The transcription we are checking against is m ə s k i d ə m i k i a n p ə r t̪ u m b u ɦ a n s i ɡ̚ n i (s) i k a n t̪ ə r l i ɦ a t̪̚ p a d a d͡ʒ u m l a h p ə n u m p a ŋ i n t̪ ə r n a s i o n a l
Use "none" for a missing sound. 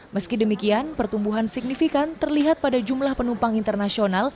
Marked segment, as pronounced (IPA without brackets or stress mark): f